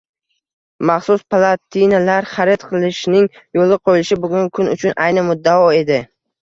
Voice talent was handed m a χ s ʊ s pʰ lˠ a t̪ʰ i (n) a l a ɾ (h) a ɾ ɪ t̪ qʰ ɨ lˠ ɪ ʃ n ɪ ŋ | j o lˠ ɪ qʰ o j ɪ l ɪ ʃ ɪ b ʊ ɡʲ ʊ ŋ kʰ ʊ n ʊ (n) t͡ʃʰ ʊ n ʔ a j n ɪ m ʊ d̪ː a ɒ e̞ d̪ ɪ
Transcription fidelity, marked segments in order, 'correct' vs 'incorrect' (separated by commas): correct, incorrect, incorrect